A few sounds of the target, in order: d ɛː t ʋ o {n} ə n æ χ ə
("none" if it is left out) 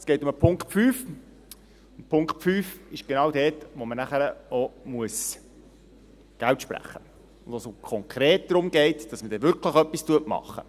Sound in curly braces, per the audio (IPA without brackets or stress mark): m